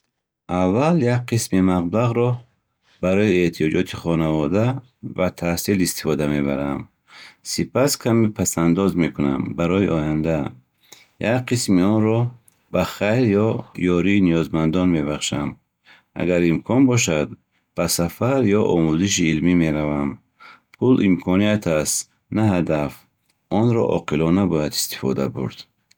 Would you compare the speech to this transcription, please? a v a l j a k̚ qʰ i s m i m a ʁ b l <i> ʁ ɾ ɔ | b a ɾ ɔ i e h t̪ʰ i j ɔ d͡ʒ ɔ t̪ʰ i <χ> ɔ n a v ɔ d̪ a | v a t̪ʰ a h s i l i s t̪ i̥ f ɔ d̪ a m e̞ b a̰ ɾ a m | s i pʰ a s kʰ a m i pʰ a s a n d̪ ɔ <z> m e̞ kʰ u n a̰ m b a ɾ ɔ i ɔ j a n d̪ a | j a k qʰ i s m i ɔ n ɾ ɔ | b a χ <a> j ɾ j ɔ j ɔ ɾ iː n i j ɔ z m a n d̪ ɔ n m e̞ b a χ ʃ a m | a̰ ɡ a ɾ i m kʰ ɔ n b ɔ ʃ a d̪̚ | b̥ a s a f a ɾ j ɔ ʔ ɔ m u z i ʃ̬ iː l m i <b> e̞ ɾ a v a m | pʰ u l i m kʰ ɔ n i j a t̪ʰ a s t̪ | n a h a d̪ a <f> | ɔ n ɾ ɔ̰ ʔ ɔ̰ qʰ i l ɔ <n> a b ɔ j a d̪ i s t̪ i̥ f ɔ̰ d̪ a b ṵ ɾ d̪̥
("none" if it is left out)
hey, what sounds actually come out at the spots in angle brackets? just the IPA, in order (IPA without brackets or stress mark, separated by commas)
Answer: a, χ, z, a, m, f, n